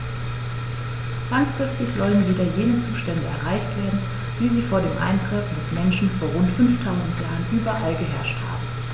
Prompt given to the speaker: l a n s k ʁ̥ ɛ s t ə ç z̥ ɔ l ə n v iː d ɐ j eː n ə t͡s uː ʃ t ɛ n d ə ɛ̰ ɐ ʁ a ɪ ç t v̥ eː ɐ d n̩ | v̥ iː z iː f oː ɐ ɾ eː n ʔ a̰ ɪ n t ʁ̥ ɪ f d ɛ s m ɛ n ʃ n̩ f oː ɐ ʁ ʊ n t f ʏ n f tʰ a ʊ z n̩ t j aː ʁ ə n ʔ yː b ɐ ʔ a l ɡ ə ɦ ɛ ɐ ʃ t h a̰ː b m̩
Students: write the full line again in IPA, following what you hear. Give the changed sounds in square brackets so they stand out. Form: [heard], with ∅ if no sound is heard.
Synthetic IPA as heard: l a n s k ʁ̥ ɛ s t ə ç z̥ ɔ l ə n v iː d ɐ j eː n ə t͡s uː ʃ t ɛ n d ə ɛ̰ ɐ ʁ a ɪ ç t v̥ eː ɐ d n̩ | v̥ iː z iː f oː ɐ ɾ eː [m] ʔ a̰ ɪ n t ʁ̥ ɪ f d ɛ s m ɛ n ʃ n̩ f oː ɐ ʁ ʊ n t f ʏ n f tʰ a ʊ z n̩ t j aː ʁ ə n ʔ yː b ɐ ʔ a l ɡ ə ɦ ɛ ɐ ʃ t h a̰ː b m̩